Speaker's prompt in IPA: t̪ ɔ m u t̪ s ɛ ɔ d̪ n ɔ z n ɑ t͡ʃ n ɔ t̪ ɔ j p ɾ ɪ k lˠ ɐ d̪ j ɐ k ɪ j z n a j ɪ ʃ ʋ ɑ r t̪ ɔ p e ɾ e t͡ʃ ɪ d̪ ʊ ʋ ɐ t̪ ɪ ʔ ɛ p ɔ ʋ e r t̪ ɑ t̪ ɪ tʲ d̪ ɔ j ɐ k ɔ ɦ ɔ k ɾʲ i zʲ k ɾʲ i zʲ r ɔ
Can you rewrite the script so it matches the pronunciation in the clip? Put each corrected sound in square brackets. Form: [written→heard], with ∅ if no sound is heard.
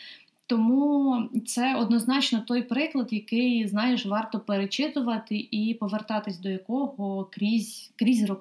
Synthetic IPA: t̪ ɔ m u t̪ s ɛ ɔ d̪ n ɔ z n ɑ t͡ʃ n ɔ t̪ ɔ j p ɾ ɪ k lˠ ɐ d̪ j ɐ k ɪ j z n [a→ɑ] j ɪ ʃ ʋ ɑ r t̪ ɔ p e ɾ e t͡ʃ ɪ [d̪→t̪] ʊ ʋ ɐ t̪ ɪ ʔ [ɛ→i] p ɔ ʋ e r t̪ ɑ t̪ ɪ [tʲ→sʲ] d̪ ɔ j ɐ k ɔ ɦ ɔ k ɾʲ i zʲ k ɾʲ i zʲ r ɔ